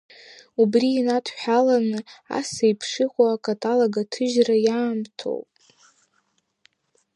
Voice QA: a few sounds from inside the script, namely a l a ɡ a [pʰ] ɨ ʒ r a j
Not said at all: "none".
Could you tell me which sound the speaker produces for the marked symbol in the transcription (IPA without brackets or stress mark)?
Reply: tʰ